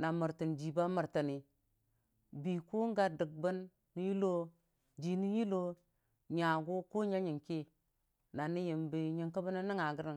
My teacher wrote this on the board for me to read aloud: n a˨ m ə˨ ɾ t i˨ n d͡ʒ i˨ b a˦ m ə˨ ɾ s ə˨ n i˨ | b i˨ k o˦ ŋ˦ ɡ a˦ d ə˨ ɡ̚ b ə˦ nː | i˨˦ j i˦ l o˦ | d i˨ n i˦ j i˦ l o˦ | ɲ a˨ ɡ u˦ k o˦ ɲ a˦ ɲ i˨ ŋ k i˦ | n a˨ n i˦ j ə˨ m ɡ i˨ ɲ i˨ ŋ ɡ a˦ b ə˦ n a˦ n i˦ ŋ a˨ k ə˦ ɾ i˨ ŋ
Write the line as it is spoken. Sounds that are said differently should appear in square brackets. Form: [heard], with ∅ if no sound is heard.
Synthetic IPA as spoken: n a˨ m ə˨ ɾ t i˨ n d͡ʒ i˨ b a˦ m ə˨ ɾ [t] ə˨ n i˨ | b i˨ k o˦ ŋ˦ ɡ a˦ d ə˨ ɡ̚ b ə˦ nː | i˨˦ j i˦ l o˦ | [d͡ʒ] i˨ n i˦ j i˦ l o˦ | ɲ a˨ ɡ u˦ k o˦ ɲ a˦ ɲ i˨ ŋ k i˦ | n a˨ n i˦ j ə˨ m [b] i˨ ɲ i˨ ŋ [k] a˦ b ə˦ n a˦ n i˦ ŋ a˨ [ɡ] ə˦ ɾ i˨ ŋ